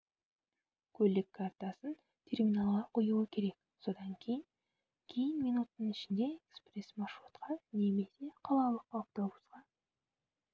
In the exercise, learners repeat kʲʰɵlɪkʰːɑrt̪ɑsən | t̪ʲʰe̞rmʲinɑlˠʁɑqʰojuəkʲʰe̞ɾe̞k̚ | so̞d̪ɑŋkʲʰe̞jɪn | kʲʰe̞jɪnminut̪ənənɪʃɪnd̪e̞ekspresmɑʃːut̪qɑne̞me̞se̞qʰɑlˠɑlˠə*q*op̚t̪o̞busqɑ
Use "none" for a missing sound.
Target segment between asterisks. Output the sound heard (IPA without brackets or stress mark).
q